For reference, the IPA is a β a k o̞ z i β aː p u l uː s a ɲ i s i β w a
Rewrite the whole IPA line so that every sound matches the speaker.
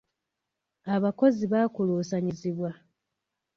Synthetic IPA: a β a k o̞ z i β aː k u l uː s a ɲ i z i β w a